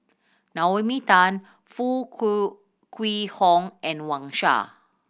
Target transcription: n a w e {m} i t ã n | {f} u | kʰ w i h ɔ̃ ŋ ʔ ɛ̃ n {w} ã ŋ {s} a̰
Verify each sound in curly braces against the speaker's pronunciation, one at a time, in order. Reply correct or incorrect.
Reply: correct, correct, correct, incorrect: ʃ

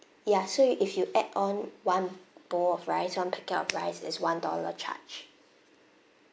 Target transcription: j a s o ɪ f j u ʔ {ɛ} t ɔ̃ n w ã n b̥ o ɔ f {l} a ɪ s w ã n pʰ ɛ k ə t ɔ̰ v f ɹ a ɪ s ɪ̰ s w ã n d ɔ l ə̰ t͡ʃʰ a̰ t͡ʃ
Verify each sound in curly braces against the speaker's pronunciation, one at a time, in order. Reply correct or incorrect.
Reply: correct, incorrect: ɹ

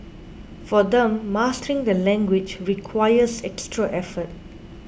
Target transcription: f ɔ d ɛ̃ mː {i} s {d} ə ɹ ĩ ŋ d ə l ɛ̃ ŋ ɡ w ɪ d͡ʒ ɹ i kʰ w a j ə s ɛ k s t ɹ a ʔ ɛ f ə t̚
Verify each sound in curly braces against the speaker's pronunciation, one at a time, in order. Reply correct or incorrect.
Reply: incorrect: a, incorrect: t

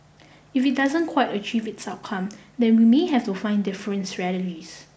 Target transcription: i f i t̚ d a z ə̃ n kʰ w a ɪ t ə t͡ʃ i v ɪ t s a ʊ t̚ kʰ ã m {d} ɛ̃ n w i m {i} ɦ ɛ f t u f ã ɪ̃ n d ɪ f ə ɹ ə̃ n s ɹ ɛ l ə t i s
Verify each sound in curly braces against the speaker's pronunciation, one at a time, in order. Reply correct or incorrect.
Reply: correct, incorrect: e

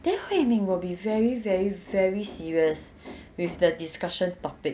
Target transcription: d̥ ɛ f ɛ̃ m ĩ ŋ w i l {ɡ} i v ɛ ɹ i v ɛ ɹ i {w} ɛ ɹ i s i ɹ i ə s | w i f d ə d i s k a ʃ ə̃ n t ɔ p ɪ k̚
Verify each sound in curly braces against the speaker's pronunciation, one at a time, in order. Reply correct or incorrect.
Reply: incorrect: b, incorrect: v

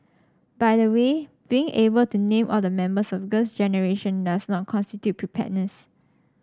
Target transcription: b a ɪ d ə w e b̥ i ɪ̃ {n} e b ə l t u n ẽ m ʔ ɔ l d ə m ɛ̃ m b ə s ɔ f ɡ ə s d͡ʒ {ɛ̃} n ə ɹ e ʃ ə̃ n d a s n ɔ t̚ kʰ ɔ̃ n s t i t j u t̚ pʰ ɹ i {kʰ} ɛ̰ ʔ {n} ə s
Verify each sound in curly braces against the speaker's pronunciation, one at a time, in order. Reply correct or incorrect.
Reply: incorrect: ŋ, incorrect: ɛ, incorrect: pʰ, correct

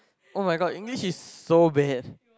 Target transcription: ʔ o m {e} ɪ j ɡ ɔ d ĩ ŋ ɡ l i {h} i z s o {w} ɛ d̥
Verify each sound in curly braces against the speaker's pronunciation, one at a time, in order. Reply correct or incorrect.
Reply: incorrect: a, incorrect: ʃ, incorrect: b

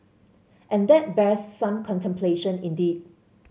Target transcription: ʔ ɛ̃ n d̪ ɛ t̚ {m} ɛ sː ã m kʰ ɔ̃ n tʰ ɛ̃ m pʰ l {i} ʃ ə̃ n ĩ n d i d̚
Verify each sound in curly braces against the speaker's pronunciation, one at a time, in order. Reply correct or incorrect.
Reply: incorrect: b, incorrect: e

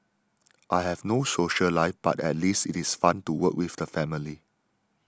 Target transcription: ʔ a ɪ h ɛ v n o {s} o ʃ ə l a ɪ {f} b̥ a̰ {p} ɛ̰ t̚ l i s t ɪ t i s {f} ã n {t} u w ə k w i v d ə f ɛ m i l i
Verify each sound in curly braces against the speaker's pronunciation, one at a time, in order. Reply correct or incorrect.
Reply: correct, correct, incorrect: t, correct, correct

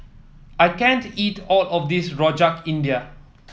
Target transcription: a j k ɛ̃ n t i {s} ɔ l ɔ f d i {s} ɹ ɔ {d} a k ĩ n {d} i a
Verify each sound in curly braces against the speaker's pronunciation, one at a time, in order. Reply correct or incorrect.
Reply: incorrect: t, correct, incorrect: d͡ʒ, correct

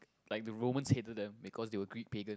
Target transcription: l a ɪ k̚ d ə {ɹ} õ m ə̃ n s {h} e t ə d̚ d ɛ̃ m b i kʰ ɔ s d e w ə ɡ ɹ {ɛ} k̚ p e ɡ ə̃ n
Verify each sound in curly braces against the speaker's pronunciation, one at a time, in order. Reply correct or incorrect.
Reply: correct, correct, incorrect: i

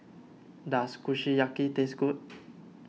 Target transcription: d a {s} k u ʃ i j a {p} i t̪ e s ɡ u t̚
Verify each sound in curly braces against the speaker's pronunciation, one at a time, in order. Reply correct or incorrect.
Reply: correct, incorrect: k

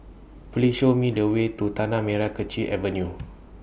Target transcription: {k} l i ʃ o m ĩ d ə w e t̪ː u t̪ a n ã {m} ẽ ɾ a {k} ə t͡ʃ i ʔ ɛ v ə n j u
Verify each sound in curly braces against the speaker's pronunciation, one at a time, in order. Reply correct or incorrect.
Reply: incorrect: p, correct, correct

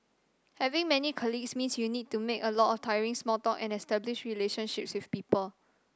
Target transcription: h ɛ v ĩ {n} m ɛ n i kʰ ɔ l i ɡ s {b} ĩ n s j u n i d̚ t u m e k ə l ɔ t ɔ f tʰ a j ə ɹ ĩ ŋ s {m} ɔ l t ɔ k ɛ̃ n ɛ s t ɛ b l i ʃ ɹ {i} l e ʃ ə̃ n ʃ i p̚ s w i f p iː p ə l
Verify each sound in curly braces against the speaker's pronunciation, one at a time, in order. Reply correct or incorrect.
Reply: incorrect: ŋ, incorrect: m, correct, correct

